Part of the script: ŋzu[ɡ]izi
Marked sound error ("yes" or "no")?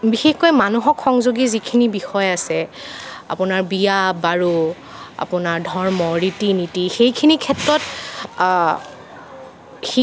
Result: no